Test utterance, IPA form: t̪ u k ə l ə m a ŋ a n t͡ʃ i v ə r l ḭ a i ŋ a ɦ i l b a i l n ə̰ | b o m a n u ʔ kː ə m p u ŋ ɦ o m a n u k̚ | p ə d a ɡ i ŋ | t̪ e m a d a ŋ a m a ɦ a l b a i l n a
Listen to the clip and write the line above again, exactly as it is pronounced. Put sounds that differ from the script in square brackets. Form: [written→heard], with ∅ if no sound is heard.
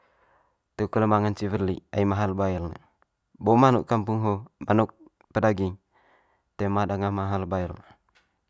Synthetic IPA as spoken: t̪ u k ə l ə m a ŋ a n t͡ʃ i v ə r l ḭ a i [ŋ→m] a ɦ [i→a] l b a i l n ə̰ | b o m a n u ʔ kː [ə→a] m p u ŋ ɦ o m a n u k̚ | p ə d a ɡ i ŋ | t̪ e m a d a ŋ a m a ɦ a l b a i l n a